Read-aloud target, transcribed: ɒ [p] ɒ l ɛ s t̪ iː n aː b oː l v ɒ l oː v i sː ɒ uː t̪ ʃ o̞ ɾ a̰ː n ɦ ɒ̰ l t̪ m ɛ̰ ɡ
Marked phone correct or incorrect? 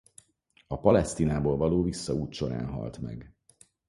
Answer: correct